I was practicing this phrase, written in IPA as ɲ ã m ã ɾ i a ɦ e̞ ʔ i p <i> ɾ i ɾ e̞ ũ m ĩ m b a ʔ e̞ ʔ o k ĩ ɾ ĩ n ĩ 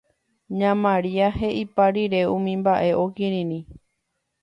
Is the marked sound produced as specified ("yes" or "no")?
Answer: no